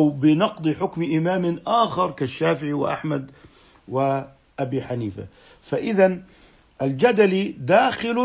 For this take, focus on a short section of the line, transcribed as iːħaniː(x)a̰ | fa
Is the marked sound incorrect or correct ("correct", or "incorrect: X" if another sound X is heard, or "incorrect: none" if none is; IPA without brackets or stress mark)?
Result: incorrect: f